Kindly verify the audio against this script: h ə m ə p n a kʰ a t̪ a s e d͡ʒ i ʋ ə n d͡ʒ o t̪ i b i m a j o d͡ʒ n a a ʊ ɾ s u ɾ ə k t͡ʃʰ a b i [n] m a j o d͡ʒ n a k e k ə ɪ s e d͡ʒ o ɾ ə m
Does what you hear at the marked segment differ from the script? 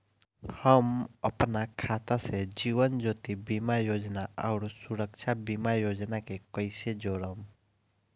yes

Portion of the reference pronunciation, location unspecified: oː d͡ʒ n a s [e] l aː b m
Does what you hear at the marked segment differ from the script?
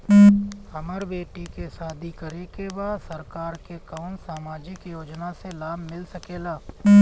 no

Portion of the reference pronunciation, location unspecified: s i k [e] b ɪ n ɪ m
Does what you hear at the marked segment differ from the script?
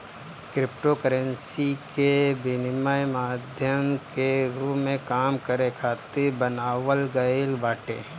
no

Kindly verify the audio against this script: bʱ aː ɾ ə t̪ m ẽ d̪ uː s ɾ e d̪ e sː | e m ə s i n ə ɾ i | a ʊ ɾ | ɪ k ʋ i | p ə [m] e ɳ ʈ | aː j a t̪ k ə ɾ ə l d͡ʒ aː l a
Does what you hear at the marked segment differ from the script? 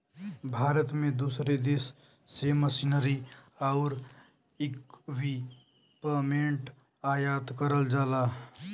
no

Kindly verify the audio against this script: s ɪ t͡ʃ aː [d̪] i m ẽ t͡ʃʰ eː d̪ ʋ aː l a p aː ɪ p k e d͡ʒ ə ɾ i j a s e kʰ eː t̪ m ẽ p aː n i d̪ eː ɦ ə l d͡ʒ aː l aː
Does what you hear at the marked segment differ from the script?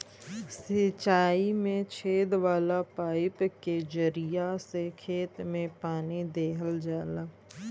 yes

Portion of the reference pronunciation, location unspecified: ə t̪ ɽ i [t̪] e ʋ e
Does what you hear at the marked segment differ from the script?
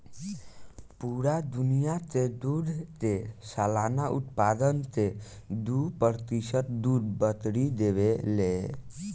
yes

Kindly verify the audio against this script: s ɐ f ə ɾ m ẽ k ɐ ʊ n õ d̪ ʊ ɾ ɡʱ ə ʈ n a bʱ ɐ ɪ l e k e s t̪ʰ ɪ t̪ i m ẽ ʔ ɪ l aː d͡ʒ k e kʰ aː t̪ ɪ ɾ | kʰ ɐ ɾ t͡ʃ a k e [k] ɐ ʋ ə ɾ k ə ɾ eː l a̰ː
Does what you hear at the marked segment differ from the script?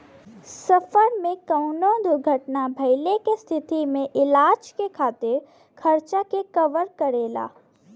no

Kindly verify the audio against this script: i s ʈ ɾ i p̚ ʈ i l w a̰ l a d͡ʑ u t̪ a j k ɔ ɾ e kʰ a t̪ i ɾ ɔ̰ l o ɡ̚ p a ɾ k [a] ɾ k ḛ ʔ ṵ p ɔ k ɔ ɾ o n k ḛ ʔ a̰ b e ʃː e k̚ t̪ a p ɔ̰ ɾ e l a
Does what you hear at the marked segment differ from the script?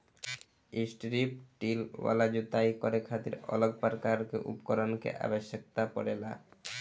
no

